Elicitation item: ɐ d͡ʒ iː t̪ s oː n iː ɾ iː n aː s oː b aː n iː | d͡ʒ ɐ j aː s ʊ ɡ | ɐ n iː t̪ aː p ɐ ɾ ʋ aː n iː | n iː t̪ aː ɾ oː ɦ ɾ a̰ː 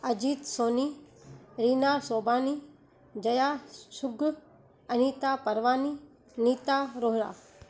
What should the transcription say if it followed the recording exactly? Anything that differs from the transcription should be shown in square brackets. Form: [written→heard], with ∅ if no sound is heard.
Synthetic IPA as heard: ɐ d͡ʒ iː t̪ s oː n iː ɾ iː n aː s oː b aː n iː | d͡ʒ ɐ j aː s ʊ ɡ | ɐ n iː t̪ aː p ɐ ɾ ʋ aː n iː | n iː t̪ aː ɾ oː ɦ ɾ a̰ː